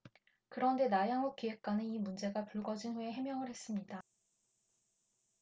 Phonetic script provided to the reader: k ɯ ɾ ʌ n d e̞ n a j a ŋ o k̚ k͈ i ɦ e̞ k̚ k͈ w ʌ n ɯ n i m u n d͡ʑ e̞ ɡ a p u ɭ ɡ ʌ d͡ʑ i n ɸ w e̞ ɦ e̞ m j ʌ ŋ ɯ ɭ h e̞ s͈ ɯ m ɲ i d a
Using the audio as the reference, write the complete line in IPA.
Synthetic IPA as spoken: k ɯ ɾ ʌ n d e̞ n a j a ŋ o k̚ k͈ i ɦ e̞ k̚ k͈ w a n ɯ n i m u n d͡ʑ e̞ ɡ a p u ɭ ɡ ʌ d͡ʑ i n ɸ u e̞ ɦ e̞ m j ʌ ŋ ɯ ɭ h e̞ s͈ ɯ m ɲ i d a

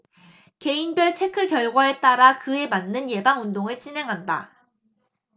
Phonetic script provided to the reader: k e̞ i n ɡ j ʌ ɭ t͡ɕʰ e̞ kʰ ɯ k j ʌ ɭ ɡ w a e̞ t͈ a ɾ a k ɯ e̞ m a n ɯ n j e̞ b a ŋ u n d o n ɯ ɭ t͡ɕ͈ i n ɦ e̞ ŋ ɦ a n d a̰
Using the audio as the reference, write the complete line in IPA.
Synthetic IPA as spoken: k e̞ i n b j ʌ ɭ t͡ɕʰ e̞ kʰ ɯ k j ʌ ɭ ɡ w a e̞ t͈ a ɾ a k ɯ e̞ m a nː ɯ n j e̞ b a ŋ u n d o ŋ ɯ ɭ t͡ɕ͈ i n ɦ e̞ ŋ ɦ a n d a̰

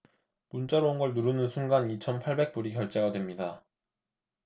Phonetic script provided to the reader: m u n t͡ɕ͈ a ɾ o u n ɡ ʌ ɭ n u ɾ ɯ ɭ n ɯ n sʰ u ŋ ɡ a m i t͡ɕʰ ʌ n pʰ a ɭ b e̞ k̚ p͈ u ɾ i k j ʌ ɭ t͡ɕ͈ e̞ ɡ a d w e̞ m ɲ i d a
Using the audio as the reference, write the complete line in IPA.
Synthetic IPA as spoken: m u n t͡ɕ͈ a ɾ o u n ɡ ʌ ɭ n u ɾ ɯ n ɯ n sʰ u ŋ ɡ a n i t͡ɕʰ ʌ n pʰ a ɭ b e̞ k̚ p͈ u ɾ i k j ʌ ɭ t͡ɕ͈ e̞ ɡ a d w e̞ m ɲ i d a

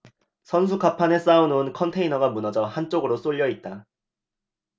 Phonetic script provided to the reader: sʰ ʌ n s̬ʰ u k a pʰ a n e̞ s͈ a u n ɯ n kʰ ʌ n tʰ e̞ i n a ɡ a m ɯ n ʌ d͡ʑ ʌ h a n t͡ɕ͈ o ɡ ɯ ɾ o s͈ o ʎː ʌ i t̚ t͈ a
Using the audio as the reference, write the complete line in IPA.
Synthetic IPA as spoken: sʰ ʌ n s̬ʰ u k a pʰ a n e̞ s͈ a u n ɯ n kʰ ʌ n tʰ e̞ i n ʌ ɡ a m u n ʌ d͡ʑ ʌ h a n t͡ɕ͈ o ɡ ɯ ɾ o s͈ o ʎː ʌ i t̚ t͈ a

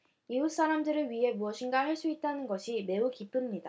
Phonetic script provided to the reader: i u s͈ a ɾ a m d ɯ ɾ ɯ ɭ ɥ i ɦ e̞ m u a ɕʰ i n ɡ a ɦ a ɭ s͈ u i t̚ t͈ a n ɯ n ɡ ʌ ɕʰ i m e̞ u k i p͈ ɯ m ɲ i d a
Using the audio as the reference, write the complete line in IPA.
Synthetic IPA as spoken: i u s͈ a ɾ a m d ɯ ɾ ɯ ɭ ɥ i ɦ e̞ m u ʌ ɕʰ i n ɡ a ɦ a ɭ s͈ u i t̚ t͈ a n ɯ n ɡ ʌ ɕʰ i m e̞ u k i p͈ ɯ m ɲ i d a

